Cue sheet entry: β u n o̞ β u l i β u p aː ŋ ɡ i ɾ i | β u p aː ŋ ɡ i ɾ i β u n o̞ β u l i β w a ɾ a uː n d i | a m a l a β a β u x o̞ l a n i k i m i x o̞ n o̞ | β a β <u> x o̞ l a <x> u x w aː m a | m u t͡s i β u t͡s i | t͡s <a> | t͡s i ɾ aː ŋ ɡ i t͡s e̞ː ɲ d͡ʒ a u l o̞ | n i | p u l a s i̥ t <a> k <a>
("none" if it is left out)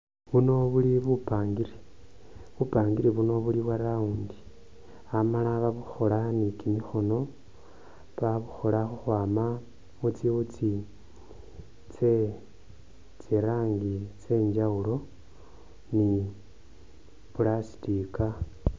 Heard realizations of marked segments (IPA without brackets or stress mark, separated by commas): u, x, e, i, a